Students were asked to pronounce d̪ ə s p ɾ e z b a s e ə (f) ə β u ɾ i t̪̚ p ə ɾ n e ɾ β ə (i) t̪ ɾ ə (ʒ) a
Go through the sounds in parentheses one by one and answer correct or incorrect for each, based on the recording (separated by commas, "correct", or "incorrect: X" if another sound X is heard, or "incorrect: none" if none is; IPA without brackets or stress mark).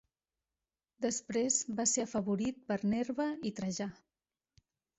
correct, correct, correct